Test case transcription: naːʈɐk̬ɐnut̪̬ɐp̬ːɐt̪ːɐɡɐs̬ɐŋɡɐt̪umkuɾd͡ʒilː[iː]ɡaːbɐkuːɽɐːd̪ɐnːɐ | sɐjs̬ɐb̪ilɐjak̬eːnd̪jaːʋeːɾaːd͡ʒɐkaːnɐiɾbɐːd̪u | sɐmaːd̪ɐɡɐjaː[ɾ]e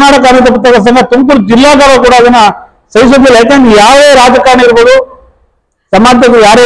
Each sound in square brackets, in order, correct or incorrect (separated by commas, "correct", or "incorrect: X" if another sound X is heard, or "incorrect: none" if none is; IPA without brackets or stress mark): incorrect: aː, correct